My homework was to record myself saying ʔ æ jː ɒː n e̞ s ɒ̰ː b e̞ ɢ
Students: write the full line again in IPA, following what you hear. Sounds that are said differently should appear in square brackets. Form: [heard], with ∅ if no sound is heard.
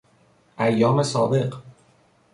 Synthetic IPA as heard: ʔ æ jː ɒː [m] e̞ s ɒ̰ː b e̞ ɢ